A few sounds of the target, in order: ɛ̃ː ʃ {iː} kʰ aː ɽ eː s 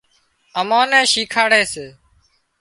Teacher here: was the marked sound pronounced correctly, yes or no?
yes